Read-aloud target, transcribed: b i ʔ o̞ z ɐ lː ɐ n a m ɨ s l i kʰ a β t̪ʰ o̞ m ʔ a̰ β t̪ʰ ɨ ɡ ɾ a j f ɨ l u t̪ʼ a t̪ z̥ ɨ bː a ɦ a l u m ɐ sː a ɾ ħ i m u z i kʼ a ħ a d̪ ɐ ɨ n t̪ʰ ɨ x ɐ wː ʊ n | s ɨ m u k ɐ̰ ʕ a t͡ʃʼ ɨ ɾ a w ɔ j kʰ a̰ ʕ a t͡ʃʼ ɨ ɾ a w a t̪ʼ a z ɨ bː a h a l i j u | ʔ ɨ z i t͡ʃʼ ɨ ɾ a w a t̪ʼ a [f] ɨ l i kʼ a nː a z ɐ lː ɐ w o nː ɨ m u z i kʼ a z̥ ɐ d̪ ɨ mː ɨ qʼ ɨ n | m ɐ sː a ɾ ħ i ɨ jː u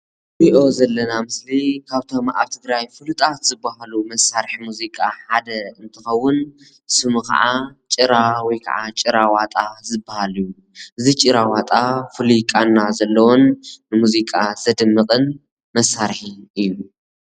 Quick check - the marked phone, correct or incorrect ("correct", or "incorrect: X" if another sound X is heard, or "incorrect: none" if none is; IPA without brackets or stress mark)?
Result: correct